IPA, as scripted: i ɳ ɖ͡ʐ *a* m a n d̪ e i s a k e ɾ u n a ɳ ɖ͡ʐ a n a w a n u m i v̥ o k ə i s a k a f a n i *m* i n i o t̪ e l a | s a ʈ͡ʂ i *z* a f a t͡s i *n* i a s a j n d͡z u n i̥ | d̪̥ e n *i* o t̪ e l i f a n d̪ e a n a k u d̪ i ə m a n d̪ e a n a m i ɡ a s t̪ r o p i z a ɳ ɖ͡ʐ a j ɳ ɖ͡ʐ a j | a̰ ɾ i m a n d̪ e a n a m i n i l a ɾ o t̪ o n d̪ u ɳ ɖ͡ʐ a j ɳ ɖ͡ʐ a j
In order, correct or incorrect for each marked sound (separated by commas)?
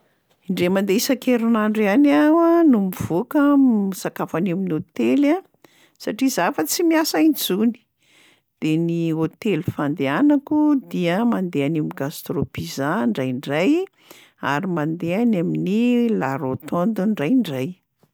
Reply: incorrect, correct, correct, incorrect, correct